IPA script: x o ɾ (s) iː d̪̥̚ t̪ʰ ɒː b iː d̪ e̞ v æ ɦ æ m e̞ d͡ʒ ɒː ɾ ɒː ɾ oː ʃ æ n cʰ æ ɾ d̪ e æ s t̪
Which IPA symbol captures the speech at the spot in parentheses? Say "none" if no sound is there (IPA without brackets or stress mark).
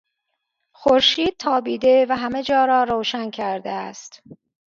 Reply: ʃ